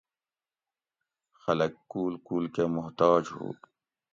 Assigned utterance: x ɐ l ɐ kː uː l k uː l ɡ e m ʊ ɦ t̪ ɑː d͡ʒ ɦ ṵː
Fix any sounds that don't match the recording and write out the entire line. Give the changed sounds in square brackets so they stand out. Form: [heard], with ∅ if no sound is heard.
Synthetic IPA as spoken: x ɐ l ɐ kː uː l k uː l [k] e m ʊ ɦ t̪ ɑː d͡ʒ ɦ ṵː